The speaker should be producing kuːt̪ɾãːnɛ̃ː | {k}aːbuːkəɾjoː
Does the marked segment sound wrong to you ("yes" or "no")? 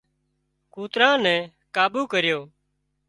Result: no